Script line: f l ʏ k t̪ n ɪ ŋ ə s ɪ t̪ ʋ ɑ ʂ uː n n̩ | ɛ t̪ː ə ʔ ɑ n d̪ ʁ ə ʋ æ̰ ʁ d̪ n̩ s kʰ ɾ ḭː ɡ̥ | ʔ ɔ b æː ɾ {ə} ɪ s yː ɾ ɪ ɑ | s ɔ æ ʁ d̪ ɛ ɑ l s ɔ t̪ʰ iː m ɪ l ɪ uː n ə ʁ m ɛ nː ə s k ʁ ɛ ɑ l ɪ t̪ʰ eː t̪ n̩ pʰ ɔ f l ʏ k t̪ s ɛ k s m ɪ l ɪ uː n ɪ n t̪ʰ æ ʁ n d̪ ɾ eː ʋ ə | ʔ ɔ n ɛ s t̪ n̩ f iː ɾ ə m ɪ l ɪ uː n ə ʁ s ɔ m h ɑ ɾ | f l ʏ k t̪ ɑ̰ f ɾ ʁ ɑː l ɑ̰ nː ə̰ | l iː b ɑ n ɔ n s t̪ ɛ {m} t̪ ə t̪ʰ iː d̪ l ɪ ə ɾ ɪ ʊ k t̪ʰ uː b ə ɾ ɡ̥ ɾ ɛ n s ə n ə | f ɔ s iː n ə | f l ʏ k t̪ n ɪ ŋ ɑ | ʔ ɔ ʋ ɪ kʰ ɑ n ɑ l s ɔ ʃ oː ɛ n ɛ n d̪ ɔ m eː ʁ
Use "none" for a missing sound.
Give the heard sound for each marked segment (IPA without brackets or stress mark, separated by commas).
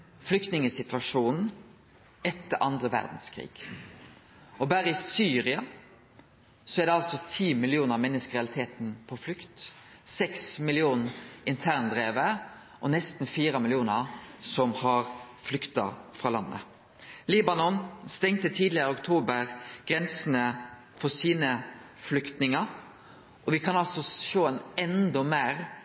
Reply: ə, ŋ